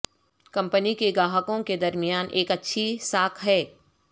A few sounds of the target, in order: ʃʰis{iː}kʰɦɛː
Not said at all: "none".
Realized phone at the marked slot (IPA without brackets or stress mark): aː